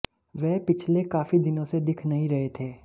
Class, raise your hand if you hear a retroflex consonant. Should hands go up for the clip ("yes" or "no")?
no